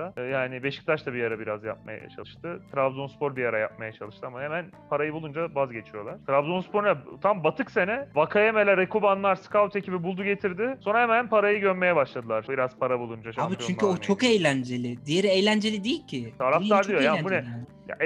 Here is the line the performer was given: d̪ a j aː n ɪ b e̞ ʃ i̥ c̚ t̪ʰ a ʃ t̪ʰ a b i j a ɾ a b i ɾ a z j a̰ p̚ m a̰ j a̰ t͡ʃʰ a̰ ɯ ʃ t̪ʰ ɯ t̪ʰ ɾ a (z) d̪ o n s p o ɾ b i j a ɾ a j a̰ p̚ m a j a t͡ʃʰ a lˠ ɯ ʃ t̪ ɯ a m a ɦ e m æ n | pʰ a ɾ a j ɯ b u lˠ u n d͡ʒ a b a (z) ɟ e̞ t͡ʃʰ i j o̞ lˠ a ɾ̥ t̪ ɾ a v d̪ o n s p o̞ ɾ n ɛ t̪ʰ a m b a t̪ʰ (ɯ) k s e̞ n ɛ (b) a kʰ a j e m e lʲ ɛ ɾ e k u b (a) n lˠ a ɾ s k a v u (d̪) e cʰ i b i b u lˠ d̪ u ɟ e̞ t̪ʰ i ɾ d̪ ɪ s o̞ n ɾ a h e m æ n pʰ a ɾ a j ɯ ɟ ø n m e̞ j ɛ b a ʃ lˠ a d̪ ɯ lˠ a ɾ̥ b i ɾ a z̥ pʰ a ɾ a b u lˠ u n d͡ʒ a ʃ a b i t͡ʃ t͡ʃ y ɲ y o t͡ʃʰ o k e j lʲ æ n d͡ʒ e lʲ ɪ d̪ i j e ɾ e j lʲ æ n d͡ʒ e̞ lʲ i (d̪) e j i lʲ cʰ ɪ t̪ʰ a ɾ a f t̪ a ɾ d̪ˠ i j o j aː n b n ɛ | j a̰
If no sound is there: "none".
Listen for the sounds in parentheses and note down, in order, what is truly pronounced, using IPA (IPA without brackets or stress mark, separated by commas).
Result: v, z, ɯ, v, a, t̪, d̪